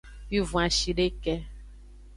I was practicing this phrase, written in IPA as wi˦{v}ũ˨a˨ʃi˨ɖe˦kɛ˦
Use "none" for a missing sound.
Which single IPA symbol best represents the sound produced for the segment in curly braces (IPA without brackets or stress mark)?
v